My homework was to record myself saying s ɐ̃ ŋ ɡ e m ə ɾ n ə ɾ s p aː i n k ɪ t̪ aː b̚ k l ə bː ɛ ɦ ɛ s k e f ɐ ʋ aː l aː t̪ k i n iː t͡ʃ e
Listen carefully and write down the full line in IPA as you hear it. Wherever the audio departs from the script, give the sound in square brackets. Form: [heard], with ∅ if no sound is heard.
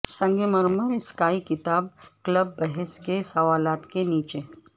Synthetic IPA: s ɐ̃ ŋ ɡ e m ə ɾ [m] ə ɾ s [k] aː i [∅] k ɪ t̪ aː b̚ k l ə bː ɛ ɦ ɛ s k e [s] ɐ ʋ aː l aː t̪ k [e] n iː t͡ʃ e